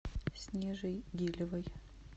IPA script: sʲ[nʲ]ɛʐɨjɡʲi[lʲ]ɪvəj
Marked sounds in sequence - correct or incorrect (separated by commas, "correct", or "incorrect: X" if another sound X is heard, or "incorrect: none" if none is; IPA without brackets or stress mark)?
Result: correct, correct